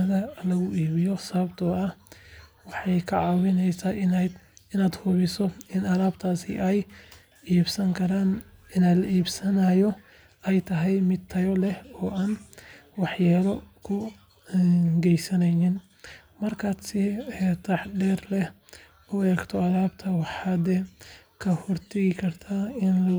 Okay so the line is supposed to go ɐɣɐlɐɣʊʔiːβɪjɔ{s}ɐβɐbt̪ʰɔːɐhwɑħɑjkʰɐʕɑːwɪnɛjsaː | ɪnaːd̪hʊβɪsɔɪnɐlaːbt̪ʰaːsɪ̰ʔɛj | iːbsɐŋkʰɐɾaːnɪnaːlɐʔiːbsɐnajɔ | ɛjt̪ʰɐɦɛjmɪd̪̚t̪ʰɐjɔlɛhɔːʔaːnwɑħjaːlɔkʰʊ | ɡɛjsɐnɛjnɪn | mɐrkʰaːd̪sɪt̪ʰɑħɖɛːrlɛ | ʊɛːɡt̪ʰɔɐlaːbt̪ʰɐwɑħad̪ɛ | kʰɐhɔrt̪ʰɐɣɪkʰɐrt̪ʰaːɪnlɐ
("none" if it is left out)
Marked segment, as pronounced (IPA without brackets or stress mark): s